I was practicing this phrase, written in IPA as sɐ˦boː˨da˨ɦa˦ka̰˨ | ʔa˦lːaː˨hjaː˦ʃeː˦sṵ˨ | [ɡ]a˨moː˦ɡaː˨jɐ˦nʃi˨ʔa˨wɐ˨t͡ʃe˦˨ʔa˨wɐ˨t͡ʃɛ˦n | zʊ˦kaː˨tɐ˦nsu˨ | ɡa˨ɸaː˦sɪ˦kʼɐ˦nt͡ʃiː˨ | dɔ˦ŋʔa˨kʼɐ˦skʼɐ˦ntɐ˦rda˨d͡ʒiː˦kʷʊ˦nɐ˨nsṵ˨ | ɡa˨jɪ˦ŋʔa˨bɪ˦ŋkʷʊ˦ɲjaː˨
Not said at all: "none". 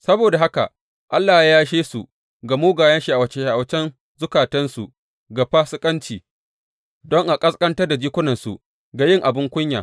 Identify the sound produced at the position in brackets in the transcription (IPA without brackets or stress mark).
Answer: ɡ